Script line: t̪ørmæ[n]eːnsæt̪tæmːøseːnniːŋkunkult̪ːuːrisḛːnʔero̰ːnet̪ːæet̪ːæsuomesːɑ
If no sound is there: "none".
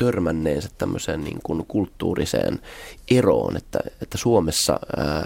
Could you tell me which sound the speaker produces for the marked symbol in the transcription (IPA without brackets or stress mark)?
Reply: nː